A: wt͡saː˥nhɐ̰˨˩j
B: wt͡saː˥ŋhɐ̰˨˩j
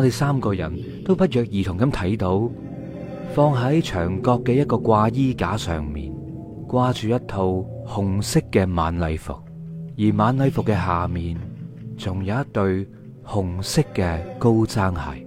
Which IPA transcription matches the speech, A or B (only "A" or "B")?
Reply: B